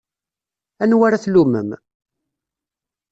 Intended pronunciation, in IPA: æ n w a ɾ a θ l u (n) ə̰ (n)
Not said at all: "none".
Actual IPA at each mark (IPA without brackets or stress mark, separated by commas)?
m, m